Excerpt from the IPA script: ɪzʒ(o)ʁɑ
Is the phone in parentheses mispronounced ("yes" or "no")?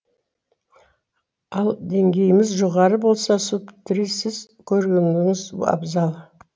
no